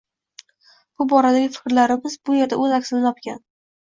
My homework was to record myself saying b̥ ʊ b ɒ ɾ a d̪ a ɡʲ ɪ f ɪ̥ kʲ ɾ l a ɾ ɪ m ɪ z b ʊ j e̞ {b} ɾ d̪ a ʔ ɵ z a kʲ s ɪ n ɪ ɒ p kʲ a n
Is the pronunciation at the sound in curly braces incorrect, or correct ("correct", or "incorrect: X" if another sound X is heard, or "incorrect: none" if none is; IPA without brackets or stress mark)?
incorrect: none